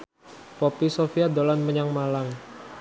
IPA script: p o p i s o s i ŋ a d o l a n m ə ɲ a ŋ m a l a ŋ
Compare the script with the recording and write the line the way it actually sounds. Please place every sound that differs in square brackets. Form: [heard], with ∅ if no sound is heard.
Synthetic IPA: p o p i s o [f] i [∅] a d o l a n m ə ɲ a ŋ m a l a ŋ